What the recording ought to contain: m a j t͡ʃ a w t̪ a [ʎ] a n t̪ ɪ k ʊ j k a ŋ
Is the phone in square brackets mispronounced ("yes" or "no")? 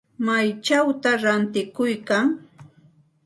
yes